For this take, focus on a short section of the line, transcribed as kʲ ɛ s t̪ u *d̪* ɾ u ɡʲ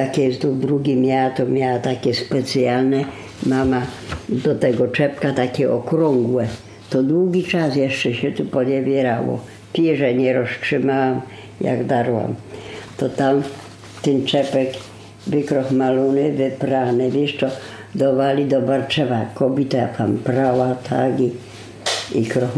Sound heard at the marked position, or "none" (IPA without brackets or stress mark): d̪